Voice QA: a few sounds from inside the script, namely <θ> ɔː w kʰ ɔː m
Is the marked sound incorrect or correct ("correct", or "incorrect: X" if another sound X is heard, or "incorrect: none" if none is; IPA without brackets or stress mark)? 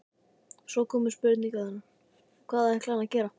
incorrect: s